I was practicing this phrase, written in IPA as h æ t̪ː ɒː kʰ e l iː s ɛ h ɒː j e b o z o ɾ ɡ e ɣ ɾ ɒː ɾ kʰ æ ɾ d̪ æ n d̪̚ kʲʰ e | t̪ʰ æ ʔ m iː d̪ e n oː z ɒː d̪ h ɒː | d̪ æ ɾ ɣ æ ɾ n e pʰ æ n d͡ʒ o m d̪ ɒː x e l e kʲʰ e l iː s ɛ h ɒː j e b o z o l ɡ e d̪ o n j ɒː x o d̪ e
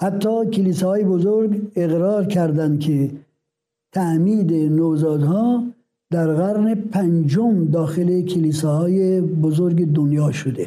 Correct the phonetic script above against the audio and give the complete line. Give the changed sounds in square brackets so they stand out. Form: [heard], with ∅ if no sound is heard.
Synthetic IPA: h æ t̪ː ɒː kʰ e l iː s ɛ h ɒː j e b o z o ɾ ɡ e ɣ ɾ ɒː ɾ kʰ æ ɾ d̪ æ n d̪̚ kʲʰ e | t̪ʰ æ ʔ m iː d̪ e n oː z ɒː d̪ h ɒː | d̪ æ ɾ ɣ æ ɾ n e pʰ æ n d͡ʒ o m d̪ ɒː x e l e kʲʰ e l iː s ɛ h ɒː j e b o z o [ɾ] ɡ e d̪ o n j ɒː [ʃ] o d̪ e